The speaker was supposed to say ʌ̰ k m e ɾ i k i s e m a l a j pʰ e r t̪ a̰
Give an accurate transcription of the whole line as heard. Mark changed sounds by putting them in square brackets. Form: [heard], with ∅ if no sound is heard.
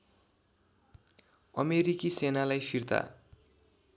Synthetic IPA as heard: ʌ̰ [∅] m e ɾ i k i s e [n] a l a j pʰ [i] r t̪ a̰